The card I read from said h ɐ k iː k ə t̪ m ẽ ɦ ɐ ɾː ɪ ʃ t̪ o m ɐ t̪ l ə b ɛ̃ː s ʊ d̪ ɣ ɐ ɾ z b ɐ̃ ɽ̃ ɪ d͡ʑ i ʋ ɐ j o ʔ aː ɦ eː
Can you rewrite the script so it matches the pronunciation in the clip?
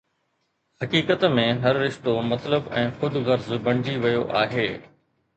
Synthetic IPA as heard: h ɐ k iː k ə t̪ m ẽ ɦ ɐ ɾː ɪ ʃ t̪ o m ɐ t̪ l ə b ɛ̃ː x ʊ d̪ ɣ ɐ ɾ z b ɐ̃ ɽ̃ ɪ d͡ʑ i ʋ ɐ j o ʔ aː ɦ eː